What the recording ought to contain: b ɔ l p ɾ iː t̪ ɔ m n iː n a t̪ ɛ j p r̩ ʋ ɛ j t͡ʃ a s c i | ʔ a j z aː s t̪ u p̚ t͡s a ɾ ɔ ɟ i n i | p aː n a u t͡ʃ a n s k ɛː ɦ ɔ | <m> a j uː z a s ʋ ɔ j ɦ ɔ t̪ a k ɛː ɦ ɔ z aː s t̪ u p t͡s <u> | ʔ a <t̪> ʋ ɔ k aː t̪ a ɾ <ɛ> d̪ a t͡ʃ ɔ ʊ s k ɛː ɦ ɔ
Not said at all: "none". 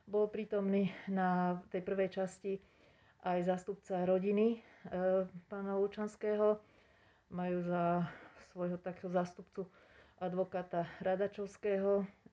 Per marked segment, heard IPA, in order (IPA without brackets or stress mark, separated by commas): m, u, d̪, a